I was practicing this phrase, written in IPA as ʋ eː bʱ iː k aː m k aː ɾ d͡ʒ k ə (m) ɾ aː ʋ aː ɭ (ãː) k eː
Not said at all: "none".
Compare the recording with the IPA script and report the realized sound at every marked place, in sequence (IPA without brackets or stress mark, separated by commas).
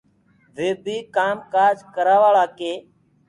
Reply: none, aː